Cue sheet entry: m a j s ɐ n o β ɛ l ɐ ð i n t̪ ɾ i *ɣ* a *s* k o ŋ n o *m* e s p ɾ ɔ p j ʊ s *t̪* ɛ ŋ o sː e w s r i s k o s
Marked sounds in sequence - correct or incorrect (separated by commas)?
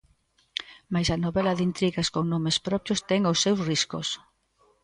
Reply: correct, correct, correct, correct